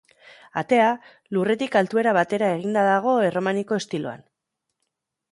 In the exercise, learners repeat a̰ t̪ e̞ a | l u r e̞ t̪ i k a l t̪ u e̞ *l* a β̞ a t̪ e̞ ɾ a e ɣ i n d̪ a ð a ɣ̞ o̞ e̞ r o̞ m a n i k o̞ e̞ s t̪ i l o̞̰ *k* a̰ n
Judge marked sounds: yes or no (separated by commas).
no, no